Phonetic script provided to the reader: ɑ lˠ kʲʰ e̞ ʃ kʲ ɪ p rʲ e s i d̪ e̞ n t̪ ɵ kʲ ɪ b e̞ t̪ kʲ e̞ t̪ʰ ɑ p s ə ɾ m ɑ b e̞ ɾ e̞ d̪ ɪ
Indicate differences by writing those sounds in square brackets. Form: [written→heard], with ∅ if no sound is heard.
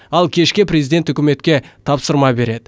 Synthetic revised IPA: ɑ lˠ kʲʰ e̞ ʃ kʲ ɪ p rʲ e [s→z] i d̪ e̞ n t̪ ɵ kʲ ɪ [b→m] e̞ t̪ kʲ e̞ t̪ʰ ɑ p s ə ɾ m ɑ b e̞ ɾ e̞ d̪ ɪ